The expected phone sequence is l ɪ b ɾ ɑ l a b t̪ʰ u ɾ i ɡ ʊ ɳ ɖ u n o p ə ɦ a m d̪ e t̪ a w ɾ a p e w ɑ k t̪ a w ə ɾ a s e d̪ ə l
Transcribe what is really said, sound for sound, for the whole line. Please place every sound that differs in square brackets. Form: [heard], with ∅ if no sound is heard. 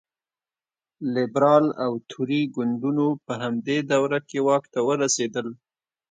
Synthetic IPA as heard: l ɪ b ɾ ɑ l a [w] t̪ʰ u ɾ i ɡ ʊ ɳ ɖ u n o p ə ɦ a m d̪ e [d̪] a w ɾ a [k] e w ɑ k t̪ a w ə ɾ a s e d̪ ə l